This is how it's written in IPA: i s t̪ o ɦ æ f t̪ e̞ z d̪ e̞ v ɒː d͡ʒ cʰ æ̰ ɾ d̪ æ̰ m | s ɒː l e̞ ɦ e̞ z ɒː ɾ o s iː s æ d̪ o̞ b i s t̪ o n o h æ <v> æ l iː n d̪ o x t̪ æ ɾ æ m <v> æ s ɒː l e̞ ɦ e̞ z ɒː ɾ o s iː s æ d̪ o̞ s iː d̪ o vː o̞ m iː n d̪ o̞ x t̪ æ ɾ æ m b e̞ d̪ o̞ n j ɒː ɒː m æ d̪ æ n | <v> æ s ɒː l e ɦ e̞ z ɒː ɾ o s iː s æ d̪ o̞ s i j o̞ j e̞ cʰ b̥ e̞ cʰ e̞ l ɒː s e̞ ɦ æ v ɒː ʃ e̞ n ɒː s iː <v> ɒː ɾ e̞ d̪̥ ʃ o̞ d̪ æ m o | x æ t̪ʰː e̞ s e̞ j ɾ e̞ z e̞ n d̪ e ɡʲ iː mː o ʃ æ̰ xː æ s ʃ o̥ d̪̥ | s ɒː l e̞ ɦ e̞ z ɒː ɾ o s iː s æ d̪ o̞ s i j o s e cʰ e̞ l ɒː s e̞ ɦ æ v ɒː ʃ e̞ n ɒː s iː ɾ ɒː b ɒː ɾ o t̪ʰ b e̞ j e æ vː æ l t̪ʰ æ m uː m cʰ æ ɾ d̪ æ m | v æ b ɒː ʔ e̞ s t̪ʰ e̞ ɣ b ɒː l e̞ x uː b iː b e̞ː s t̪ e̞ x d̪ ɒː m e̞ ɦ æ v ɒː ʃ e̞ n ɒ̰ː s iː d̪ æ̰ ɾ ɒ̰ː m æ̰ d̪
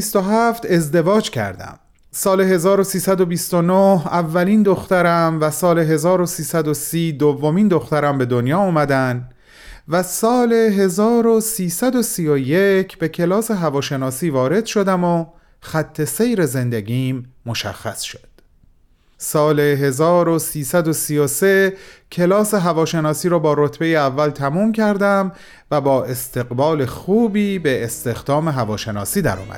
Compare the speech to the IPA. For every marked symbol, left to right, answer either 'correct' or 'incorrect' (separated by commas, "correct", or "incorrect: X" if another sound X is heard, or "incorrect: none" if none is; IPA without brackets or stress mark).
incorrect: vː, correct, correct, correct